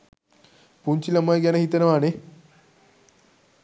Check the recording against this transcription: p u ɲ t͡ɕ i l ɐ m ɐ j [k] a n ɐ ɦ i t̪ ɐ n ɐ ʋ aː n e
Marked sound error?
yes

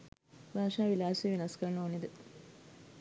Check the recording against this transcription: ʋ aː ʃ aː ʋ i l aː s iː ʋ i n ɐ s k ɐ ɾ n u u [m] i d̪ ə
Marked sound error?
yes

